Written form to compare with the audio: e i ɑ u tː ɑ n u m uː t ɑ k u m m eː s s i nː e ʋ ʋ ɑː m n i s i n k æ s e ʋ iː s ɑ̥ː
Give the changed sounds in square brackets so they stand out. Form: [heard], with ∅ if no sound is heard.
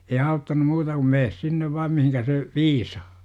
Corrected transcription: e i ɑ u tː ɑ n u m uː t ɑ k u m m eː s s i nː e ʋ ʋ ɑː m [m] i [h] i n k æ s e ʋ iː s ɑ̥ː

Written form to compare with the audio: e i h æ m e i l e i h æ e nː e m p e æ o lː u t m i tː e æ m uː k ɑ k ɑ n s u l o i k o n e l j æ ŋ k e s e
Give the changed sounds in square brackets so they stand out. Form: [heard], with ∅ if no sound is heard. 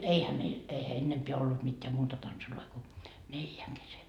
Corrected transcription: e i h æ m e i l e i h æ e nː e m p e æ o lː u t m i tː e æ m uː [t] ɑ [t] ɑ n s u l o i k o n e l j æ ŋ k e s e

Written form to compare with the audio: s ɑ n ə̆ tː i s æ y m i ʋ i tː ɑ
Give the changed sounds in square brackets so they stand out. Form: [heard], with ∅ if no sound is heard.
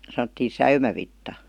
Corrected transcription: s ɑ n ə̆ tː [iː] s æ y m [æ] ʋ i tː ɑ

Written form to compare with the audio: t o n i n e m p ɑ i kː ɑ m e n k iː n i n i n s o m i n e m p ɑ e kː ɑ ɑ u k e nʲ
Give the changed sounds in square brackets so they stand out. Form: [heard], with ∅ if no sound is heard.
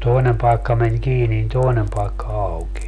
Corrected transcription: t o [∅] i n e m p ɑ i kː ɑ m e n k iː n i n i n [t] o [∅] i n e m p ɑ e kː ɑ ɑ u k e nʲ

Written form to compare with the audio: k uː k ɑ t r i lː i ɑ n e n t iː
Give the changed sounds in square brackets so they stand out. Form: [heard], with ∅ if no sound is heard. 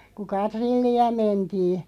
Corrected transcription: k [u] k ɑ t r i lː i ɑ [m] e n t iː

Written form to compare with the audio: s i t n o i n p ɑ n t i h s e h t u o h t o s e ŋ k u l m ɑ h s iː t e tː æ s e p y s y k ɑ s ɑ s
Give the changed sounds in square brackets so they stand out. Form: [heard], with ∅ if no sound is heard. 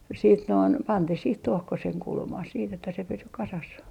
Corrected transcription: s [iː] t n o i n p ɑ n t i h s [i] h t u o h [k] o s e ŋ k u l m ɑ h s iː t e tː æ s e p y s y k ɑ s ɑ s

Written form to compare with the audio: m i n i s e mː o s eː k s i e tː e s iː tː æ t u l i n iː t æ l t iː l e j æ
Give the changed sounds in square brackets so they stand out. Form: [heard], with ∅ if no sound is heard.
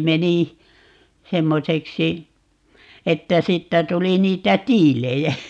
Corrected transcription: m [e] n i s e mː o s [e] k s i e tː [æ] s iː tː æ t u l i n iː t æ [∅] t iː l e j æ

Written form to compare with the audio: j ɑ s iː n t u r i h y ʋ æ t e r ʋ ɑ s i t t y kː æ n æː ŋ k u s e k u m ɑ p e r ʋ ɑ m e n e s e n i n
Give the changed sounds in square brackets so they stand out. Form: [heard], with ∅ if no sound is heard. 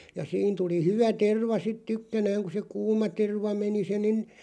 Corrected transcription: j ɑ s iː n t u [l] i h y ʋ æ t e r ʋ ɑ s i t t y kː æ n æː ŋ k u s e k [uː] m ɑ [t] e r ʋ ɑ m e n [i] s e n i n

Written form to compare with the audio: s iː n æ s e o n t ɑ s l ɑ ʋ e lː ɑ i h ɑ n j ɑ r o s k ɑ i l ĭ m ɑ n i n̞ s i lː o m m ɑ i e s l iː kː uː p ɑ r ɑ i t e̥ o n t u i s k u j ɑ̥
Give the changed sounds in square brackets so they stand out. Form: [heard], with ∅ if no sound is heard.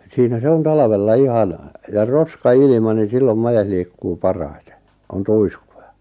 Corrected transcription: s iː n æ s e o n t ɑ [∅] l ɑ ʋ e lː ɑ i h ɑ n j ɑ r o s k ɑ i l ĭ m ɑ n i n̞ s i lː o m m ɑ [j] e s l iː kː uː p ɑ r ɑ i t e̥ o n t u i s k u j ɑ̥

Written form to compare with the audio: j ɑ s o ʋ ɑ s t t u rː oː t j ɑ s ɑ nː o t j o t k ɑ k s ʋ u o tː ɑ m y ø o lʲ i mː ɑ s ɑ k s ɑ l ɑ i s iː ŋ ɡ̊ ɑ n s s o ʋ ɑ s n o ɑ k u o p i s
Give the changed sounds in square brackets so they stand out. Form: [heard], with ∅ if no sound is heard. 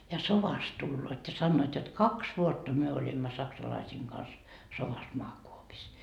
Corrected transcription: j ɑ s o ʋ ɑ s t t u [lː] oː t j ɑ s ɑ nː [oː] t j o t k ɑ k s ʋ u o tː ɑ m y ø o lʲ i mː ɑ s ɑ k s ɑ l ɑ i s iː ŋ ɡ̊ ɑ n s s o ʋ ɑ s [m] o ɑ k u o p i s

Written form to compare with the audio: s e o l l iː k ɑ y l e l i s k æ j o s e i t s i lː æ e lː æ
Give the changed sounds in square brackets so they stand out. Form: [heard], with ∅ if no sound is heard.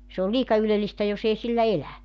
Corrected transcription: s e o l l iː k ɑ y l e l i s [t] æ j o s e i [∅] s i lː æ e [l] æ

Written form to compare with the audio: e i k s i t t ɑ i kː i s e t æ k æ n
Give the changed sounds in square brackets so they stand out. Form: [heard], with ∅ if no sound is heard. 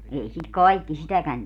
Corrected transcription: e i [∅] s i t [k] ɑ i kː i s [i] t æ k æ n

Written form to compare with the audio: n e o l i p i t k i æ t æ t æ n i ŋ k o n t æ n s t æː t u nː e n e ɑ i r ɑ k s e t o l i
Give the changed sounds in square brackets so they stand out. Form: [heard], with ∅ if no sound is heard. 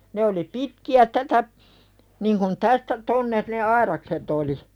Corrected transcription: n e o l i p i t k i æ t æ t æ n i ŋ k [u] n t æ [∅] s t [æ] t [o] nː e n e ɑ i r ɑ k s e t o l i

